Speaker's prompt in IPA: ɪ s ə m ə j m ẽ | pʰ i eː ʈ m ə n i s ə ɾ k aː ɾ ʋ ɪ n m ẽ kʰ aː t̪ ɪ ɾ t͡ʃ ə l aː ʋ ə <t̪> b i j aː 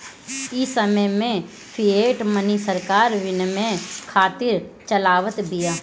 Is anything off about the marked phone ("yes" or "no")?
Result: no